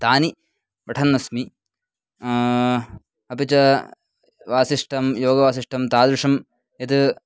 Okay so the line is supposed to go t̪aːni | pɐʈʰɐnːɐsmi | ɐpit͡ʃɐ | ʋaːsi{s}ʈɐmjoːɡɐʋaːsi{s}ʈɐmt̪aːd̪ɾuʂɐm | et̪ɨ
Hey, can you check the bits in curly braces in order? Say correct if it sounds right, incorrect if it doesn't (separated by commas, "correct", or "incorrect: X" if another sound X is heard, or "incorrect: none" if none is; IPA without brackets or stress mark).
incorrect: ʂ, incorrect: ʂ